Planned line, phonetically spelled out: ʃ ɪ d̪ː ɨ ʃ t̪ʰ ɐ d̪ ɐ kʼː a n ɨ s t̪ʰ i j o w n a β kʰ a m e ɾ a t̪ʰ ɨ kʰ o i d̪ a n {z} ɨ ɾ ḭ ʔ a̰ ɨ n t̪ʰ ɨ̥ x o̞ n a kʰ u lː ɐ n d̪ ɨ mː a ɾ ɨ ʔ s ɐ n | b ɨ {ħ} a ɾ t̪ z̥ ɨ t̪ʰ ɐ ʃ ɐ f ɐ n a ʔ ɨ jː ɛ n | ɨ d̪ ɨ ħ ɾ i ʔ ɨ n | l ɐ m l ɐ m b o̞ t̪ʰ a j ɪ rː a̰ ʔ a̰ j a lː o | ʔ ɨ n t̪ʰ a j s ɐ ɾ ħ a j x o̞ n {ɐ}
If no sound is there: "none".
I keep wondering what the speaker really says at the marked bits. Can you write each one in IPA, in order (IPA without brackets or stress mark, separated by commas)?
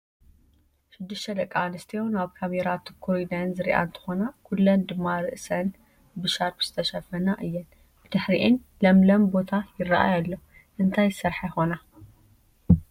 z, ʃ, a